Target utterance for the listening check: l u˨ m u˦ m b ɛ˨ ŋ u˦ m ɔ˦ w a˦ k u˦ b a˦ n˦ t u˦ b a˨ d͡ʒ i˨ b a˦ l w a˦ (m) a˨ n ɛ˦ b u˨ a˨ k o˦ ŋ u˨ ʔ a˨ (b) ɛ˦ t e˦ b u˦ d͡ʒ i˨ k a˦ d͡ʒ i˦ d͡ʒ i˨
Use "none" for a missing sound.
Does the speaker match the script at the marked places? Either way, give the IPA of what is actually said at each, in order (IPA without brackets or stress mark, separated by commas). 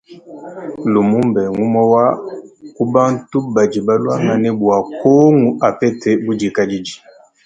ŋ, p